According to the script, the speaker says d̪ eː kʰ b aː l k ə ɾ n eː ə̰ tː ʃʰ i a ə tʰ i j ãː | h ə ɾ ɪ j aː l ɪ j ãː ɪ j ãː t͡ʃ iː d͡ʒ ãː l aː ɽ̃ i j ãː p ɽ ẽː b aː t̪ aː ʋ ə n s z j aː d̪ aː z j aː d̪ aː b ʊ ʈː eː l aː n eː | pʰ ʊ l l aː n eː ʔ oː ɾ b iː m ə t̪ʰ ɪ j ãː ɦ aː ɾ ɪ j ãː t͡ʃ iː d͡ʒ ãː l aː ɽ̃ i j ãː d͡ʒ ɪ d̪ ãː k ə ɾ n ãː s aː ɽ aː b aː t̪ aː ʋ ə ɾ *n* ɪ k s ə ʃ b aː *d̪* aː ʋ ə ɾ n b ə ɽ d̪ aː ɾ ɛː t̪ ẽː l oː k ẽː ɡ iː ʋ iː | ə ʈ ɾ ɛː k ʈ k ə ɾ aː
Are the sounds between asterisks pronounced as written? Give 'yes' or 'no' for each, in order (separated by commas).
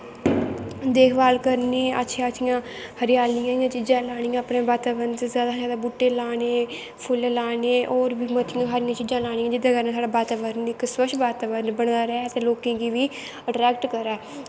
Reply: yes, no